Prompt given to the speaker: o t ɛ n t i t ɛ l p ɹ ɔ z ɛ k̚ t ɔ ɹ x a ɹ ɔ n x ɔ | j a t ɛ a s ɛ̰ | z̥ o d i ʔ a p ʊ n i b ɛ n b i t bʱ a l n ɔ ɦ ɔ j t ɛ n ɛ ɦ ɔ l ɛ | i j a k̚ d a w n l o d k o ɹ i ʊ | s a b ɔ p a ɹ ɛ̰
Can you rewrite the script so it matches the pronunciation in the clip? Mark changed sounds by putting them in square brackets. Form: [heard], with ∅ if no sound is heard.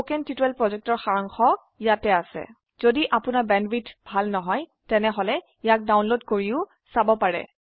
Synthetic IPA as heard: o [k] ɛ n t i t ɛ l p ɹ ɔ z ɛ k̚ t ɔ ɹ x a ɹ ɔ [ŋ] x ɔ | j a t ɛ a s ɛ̰ | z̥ o d i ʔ a p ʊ n [a] b ɛ n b i t bʱ a l n ɔ ɦ ɔ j t ɛ n ɛ ɦ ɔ l ɛ | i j a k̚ d a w n l o d k o ɹ i ʊ | s a b ɔ p a ɹ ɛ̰